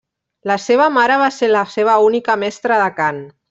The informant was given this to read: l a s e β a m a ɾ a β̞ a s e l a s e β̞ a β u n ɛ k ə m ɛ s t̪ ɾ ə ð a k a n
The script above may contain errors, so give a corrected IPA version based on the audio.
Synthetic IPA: l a s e β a m a ɾ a β̞ a s e l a s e β̞ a u n i k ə m ɛ s t̪ ɾ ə ð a k a n